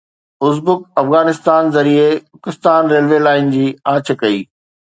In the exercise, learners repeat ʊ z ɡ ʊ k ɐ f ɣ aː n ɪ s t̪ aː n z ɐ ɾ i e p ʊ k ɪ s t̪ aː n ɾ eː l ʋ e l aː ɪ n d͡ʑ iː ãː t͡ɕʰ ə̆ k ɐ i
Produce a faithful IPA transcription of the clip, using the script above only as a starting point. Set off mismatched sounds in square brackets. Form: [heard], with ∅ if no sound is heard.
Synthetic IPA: ʊ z [b] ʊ k ɐ f ɣ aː n ɪ s t̪ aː n z ɐ ɾ i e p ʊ k ɪ s t̪ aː n ɾ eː l ʋ e l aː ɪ n d͡ʑ iː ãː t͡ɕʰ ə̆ k ɐ [iː]